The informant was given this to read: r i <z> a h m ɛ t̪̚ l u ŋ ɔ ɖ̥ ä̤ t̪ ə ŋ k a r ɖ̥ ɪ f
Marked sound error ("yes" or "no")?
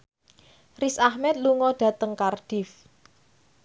yes